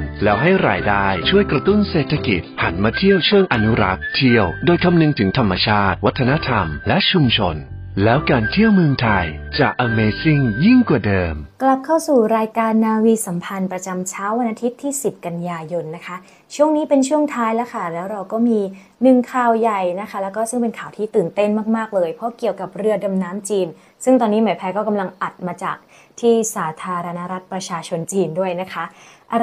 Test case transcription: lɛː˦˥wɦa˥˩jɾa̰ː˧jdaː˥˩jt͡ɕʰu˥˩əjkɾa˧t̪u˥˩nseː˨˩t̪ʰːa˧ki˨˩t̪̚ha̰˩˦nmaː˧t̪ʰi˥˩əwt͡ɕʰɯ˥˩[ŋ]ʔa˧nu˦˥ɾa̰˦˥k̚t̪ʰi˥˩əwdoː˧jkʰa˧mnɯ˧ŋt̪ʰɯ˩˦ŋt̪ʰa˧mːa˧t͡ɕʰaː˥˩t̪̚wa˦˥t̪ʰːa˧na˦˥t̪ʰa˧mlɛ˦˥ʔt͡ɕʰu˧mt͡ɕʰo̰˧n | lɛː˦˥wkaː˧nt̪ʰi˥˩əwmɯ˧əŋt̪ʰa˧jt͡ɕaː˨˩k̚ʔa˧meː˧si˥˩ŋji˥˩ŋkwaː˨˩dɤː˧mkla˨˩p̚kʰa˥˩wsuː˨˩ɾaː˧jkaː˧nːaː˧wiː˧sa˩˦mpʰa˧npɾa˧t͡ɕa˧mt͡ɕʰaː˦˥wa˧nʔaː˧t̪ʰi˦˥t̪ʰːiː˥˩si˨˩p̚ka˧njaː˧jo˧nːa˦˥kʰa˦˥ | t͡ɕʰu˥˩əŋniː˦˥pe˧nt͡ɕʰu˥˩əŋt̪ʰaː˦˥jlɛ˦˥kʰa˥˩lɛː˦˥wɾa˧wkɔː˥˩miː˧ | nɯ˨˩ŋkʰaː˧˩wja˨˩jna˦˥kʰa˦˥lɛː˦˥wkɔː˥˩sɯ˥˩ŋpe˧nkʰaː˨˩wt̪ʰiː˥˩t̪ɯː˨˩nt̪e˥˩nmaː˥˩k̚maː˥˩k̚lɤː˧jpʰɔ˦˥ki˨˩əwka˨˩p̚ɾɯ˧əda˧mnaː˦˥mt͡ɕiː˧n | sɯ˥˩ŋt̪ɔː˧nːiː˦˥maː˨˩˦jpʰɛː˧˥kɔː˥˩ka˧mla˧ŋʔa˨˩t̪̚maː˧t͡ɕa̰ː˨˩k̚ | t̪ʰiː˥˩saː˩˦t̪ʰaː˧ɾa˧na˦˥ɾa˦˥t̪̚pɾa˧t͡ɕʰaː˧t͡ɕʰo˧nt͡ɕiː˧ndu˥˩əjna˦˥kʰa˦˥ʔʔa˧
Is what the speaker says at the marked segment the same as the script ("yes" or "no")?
yes